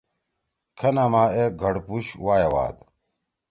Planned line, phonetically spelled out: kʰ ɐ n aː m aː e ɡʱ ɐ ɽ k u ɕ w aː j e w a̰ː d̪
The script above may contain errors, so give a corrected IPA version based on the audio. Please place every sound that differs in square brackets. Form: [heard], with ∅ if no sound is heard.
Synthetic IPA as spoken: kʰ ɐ n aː m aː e ɡʱ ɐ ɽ [p] u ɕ w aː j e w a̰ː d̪